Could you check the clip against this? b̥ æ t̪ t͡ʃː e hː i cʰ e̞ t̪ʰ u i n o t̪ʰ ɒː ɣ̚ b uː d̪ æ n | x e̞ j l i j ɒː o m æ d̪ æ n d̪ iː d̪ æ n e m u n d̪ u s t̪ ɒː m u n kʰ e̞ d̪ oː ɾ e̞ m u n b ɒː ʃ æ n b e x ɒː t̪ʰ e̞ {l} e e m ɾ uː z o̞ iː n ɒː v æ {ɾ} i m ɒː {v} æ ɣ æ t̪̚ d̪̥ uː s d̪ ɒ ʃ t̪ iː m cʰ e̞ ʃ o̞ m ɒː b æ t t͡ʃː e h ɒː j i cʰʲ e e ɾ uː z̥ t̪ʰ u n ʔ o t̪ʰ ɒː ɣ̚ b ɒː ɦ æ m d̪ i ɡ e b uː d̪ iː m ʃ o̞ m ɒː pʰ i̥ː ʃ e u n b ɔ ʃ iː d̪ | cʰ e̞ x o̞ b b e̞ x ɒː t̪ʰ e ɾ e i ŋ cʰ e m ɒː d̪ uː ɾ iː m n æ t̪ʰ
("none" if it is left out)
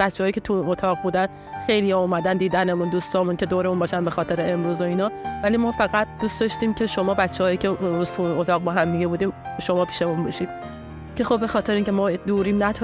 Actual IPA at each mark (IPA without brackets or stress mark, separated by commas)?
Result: ɾ, l, f